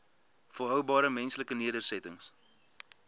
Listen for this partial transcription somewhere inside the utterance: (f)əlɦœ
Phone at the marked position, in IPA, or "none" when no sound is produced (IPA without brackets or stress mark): f